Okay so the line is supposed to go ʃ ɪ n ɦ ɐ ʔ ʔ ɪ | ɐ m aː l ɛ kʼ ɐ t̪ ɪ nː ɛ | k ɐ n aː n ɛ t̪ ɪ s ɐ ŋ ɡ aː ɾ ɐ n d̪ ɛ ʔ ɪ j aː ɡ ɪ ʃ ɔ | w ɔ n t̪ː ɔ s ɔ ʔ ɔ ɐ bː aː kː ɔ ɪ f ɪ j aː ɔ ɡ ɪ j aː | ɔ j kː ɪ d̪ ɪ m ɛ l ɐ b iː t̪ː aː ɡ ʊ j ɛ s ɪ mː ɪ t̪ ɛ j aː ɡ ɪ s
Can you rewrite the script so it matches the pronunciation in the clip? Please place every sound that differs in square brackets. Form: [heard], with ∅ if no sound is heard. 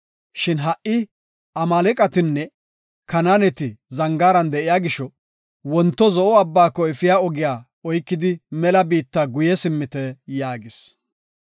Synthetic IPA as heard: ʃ ɪ n ɦ ɐ ʔ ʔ ɪ | ɐ m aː l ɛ kʼ ɐ t̪ ɪ nː ɛ | k ɐ n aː n ɛ t̪ ɪ [z] ɐ ŋ ɡ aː ɾ ɐ n d̪ ɛ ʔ ɪ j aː ɡ ɪ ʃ ɔ | w ɔ n t̪ː ɔ [z] ɔ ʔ ɔ ɐ bː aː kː ɔ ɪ f ɪ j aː ɔ ɡ ɪ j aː | ɔ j kː ɪ d̪ ɪ m ɛ l ɐ b iː t̪ː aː ɡ ʊ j ɛ s ɪ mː ɪ t̪ ɛ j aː ɡ ɪ s